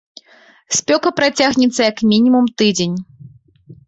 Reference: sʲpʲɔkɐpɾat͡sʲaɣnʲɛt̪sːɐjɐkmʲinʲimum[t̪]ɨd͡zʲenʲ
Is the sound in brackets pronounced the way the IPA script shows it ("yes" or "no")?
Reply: yes